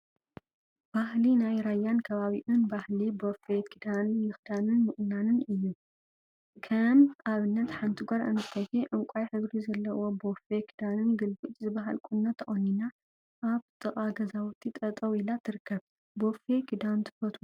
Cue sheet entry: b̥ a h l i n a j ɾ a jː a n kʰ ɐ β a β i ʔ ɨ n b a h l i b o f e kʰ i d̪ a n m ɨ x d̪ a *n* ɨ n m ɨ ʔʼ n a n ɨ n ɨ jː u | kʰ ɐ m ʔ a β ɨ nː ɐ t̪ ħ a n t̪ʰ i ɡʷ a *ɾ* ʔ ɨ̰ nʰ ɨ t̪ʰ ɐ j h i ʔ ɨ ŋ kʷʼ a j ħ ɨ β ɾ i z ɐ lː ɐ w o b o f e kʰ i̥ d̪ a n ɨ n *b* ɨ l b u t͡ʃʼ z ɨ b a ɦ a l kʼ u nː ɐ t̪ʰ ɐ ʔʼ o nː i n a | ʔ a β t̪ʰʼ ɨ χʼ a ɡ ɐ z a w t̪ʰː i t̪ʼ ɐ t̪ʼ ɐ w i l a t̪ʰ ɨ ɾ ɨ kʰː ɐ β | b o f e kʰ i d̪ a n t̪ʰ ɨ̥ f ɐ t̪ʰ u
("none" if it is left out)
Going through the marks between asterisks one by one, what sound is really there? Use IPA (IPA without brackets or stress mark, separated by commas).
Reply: n, ɾ, ɡ